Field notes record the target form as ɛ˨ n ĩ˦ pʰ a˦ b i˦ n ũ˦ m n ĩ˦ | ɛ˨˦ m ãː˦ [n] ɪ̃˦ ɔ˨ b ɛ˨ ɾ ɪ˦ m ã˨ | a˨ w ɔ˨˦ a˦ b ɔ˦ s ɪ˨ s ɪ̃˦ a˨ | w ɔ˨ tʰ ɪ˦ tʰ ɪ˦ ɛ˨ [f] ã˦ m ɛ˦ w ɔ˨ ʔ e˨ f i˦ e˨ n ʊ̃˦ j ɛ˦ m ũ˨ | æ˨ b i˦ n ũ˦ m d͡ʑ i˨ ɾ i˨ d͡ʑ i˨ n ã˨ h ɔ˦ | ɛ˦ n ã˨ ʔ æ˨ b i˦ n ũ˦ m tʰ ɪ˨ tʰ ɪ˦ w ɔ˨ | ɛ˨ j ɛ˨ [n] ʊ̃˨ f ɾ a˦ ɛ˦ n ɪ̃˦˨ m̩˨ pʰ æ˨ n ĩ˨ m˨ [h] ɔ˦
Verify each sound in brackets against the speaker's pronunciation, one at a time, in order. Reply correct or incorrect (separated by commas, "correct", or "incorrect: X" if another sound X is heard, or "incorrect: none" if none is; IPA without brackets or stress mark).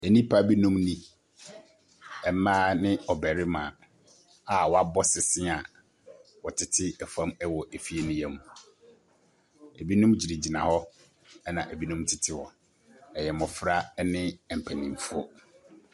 correct, correct, incorrect: m, incorrect: f